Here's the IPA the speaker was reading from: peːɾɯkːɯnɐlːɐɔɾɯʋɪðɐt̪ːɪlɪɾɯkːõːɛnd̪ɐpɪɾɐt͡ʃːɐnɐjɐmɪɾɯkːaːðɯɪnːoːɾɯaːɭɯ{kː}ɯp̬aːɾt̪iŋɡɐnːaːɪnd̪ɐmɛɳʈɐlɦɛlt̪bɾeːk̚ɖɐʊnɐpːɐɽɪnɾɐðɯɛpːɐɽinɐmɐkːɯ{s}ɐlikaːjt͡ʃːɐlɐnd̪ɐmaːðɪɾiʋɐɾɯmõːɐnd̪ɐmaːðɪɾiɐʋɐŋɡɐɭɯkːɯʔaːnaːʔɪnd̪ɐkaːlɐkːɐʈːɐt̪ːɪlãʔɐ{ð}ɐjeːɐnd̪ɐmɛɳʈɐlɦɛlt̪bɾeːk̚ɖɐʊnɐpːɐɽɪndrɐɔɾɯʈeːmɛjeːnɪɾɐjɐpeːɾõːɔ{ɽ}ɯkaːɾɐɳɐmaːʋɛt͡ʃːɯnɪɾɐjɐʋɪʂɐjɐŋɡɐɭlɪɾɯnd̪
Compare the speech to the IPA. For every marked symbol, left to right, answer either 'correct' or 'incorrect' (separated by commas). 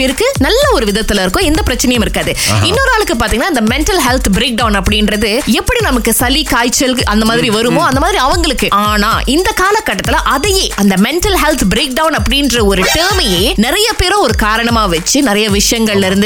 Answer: correct, correct, correct, incorrect